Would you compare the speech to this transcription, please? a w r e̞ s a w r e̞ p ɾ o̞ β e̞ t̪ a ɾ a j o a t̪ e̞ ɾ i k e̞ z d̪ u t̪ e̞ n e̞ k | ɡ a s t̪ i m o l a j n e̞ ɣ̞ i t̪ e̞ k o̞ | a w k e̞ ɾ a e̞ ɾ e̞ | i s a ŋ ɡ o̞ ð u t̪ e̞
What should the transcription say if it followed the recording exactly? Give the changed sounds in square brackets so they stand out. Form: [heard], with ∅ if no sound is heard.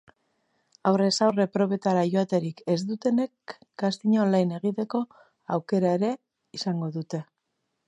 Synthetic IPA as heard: a w r e̞ s a w r e̞ p ɾ o̞ β e̞ t̪ a ɾ a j o a t̪ e̞ ɾ i k e̞ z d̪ u t̪ e̞ n e̞ k | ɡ a s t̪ i [ɲ] o l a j n e̞ ɣ̞ i t̪ e̞ k o̞ | a w k e̞ ɾ a e̞ ɾ e̞ | i s a ŋ ɡ o̞ ð u t̪ e̞